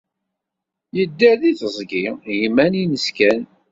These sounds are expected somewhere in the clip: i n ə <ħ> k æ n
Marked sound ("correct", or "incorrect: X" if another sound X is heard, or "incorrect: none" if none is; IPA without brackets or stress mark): incorrect: s